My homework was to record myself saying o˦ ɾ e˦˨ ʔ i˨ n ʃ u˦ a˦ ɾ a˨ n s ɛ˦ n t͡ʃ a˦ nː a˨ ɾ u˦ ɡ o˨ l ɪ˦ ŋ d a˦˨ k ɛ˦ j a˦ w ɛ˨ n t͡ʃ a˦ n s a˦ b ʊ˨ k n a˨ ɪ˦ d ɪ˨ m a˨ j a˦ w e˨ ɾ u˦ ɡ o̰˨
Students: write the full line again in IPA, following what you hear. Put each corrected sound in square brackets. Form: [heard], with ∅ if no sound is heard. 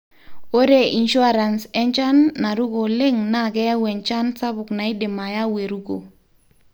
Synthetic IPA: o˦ ɾ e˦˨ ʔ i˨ n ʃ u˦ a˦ ɾ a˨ n s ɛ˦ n t͡ʃ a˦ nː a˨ ɾ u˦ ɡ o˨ l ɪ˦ ŋ [n] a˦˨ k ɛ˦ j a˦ w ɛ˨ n t͡ʃ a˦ n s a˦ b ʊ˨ k n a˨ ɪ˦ d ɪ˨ m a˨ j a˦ w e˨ ɾ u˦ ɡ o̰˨